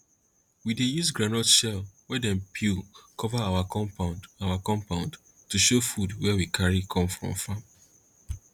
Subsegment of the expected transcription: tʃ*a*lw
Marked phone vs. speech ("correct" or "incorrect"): incorrect